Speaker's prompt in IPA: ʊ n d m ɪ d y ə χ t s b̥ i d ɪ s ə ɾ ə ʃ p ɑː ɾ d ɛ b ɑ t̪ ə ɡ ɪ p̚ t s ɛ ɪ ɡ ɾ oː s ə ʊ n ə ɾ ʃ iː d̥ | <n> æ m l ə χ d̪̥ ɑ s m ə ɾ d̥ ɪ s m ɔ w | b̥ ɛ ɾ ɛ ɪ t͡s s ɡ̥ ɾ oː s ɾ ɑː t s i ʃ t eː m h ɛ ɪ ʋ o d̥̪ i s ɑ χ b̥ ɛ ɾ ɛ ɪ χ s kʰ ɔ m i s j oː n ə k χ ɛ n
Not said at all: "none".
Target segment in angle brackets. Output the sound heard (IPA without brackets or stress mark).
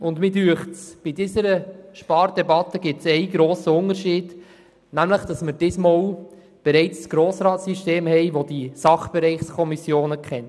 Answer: n